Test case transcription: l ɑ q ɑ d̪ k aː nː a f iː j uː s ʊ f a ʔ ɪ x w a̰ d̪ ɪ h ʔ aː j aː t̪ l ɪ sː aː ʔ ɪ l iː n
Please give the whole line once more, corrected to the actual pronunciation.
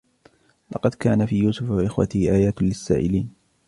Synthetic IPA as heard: l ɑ q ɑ d̪ k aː n a f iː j uː s ʊ f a ʔ ɪ x w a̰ t̪ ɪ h ʔ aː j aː t̪ l ɪ sː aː ʔ ɪ l iː n